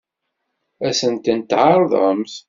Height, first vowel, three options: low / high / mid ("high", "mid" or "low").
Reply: low